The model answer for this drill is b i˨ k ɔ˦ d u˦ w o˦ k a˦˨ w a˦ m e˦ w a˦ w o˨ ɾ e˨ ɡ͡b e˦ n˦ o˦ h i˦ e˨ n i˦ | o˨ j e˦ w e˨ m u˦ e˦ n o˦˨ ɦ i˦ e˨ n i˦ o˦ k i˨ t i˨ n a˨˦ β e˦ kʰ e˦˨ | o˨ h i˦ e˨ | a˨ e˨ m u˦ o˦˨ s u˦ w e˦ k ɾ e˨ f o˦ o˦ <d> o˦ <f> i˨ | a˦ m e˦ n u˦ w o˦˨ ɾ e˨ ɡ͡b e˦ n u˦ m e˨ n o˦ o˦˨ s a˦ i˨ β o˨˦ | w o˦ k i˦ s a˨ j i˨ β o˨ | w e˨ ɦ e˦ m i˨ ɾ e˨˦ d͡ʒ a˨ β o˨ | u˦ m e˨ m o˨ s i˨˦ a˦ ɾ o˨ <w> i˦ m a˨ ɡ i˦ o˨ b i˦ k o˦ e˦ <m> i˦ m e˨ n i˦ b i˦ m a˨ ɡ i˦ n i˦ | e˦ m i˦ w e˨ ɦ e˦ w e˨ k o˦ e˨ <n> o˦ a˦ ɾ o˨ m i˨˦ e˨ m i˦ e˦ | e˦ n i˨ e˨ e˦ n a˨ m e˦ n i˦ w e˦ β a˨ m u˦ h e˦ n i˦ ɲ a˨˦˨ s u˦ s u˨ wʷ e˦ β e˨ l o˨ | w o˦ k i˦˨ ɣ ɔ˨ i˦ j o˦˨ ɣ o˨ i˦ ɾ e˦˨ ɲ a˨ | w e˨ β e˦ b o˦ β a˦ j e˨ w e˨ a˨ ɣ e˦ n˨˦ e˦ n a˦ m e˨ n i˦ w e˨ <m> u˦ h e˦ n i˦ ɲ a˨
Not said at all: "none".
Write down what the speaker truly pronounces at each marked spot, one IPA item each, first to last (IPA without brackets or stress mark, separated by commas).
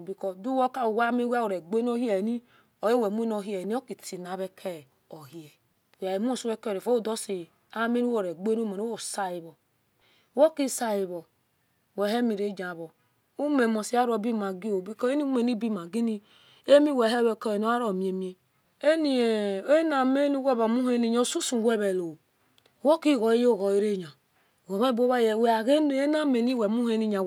d, s, b, n, n, m